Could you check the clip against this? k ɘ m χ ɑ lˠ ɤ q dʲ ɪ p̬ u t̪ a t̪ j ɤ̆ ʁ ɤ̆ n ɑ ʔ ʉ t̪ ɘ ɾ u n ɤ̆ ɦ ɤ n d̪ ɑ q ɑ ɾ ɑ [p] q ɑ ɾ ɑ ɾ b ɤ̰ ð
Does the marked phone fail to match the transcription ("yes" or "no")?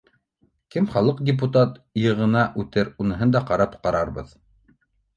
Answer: no